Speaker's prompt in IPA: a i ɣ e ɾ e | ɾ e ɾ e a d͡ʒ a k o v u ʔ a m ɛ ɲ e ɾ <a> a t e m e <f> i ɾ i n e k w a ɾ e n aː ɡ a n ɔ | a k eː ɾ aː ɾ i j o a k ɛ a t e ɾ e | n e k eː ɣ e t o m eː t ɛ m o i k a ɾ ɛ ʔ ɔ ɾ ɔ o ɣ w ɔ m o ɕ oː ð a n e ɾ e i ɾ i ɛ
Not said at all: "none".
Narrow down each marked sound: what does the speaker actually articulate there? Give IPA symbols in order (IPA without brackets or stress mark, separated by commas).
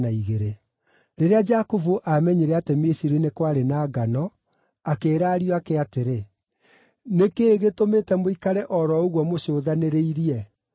ɛ, s